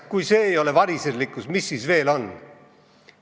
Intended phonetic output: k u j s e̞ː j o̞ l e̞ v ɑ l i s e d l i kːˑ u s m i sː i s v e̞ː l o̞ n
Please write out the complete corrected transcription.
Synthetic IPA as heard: k u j s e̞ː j o̞ l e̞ v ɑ ɾ i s e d l i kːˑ u s m i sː i s v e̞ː l o̞ n